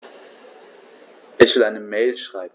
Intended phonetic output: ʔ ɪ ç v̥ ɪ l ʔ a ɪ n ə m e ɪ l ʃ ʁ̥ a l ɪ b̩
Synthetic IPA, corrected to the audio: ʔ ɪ ç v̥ ɪ l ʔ a ɪ n ə m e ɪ l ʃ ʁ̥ a ɪ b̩